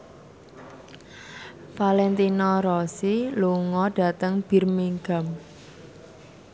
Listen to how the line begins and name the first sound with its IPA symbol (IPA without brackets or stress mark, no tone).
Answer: f